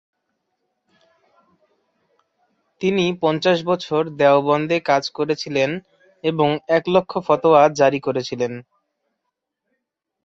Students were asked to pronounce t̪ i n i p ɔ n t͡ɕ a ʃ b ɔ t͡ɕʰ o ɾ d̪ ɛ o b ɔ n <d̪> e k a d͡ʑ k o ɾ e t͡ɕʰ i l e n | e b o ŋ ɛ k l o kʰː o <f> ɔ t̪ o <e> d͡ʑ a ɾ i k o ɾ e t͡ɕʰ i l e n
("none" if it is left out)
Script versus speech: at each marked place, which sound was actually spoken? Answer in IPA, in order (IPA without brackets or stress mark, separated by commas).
d̪, f, a